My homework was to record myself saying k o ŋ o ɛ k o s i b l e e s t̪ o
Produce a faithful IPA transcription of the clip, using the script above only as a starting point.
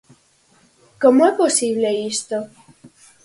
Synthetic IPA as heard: k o m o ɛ p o s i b l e i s t̪ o